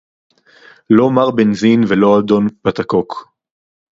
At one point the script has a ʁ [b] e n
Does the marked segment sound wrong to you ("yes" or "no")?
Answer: no